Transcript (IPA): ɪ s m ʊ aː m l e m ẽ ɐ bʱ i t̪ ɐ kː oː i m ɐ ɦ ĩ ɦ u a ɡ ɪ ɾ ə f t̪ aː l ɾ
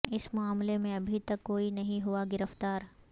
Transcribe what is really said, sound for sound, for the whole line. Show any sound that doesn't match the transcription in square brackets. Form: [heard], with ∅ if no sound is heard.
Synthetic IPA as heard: ɪ s m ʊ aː m l e m ẽ ɐ bʱ i t̪ ɐ kː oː i [n] ɐ ɦ ĩ ɦ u a ɡ ɪ ɾ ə f t̪ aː [∅] ɾ